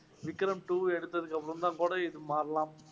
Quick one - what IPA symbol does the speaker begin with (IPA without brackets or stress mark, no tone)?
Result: ʋ